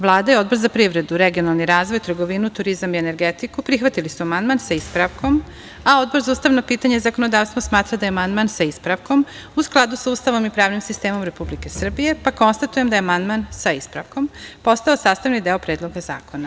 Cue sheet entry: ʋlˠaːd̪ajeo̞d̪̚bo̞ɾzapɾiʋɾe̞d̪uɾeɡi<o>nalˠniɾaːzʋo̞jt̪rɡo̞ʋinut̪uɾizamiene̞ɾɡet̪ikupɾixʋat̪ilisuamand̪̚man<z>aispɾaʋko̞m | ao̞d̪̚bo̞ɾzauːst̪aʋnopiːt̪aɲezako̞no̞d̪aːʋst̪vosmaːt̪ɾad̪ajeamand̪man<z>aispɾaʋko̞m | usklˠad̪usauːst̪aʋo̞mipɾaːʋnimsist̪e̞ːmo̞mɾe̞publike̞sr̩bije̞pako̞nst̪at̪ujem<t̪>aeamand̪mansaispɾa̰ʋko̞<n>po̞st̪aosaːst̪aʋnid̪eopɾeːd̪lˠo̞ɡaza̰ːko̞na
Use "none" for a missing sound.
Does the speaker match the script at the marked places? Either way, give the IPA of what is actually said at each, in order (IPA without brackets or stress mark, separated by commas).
o, s, s, d̪, m